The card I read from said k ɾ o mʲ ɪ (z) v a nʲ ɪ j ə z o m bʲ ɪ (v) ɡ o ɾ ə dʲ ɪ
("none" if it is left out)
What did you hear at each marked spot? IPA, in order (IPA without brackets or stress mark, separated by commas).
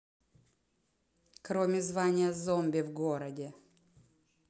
z, v